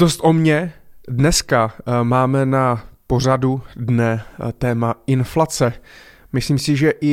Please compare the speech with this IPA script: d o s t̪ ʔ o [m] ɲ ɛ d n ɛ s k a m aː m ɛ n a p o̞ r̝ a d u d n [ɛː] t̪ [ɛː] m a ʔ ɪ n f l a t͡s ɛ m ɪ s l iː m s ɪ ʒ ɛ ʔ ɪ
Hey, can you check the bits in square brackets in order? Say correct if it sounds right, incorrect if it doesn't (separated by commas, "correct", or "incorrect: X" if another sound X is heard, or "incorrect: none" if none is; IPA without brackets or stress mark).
correct, incorrect: ɛ, correct